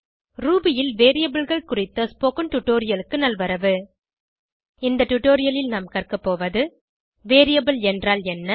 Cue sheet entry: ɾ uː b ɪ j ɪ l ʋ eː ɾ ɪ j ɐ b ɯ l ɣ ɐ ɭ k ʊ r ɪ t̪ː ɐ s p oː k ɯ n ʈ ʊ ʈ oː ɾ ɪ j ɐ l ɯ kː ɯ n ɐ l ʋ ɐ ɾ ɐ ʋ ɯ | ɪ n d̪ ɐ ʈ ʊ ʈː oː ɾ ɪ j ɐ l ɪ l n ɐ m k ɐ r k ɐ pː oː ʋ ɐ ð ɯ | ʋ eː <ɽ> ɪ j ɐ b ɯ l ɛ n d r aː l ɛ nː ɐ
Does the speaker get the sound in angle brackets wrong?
yes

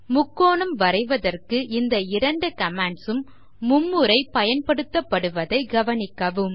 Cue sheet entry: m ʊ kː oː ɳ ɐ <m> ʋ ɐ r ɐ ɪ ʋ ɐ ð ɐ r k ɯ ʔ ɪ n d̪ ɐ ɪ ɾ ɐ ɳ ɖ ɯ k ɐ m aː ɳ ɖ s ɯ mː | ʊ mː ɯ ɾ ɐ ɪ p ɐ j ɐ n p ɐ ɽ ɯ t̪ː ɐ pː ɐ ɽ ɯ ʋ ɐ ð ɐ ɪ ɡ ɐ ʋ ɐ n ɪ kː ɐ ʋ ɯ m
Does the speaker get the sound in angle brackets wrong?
no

